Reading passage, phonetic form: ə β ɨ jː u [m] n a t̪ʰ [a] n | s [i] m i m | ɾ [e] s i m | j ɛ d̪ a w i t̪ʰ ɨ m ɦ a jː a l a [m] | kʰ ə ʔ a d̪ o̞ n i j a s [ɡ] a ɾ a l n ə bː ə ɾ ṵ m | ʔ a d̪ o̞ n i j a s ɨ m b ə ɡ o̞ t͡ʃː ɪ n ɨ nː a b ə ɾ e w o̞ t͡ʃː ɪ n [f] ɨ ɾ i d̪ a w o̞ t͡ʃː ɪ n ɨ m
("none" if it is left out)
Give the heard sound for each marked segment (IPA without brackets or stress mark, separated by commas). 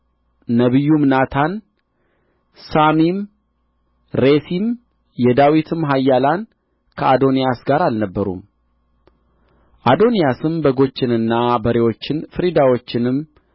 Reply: m, a, a, e, n, ɡ, f